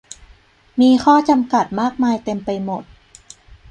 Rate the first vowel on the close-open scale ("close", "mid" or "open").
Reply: close